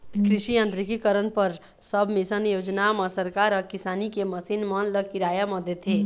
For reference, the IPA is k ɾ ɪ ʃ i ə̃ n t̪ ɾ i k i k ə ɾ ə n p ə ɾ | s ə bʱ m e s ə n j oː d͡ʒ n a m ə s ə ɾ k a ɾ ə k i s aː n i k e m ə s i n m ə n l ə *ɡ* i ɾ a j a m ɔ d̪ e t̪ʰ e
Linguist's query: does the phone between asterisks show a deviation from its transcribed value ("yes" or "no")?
yes